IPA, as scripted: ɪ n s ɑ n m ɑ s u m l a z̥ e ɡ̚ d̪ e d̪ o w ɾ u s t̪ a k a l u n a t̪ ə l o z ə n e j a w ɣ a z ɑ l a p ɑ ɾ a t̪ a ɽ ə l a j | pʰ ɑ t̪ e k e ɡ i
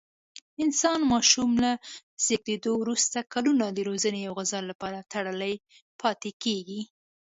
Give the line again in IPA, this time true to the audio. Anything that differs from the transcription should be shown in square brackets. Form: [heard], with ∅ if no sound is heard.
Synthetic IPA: ɪ n s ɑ n m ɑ [ʃ] u m l a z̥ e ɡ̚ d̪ e d̪ o w ɾ u s t̪ a k a l u n a [d̪] ə [ɾ] o z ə n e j a w ɣ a z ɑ l a p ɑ ɾ a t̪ a ɽ ə l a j | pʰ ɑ t̪ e k e ɡ i